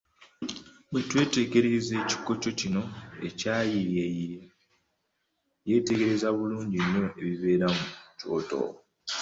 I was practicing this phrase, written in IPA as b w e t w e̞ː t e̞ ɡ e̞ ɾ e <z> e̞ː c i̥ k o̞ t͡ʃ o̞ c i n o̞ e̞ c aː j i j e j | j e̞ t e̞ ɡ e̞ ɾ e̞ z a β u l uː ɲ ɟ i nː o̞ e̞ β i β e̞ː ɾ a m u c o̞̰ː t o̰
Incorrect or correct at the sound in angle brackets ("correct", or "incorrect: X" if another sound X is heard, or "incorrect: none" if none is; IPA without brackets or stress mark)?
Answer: correct